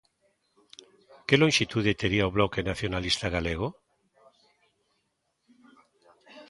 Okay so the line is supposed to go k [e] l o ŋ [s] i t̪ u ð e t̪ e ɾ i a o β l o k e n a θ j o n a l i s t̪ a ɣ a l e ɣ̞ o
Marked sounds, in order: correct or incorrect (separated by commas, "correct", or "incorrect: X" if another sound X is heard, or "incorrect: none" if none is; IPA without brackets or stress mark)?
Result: correct, incorrect: ʃ